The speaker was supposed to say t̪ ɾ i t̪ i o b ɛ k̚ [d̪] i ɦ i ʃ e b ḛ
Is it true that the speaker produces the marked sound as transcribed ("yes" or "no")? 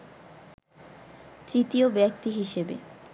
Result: no